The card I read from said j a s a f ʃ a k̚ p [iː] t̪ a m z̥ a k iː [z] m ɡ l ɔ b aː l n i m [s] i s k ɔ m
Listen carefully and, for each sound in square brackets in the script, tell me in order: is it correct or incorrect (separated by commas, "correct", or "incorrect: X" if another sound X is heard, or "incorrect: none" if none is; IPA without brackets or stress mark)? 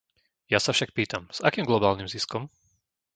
correct, incorrect: none, incorrect: z